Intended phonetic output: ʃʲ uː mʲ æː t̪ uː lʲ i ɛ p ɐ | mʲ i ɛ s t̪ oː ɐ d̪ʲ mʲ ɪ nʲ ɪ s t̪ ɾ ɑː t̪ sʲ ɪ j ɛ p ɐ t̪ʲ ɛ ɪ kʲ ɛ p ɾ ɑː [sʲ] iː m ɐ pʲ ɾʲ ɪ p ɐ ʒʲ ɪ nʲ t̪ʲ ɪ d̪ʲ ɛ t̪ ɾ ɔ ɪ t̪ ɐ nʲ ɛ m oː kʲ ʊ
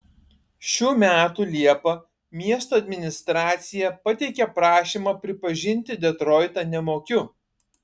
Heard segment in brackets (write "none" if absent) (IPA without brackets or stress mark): ʃʲ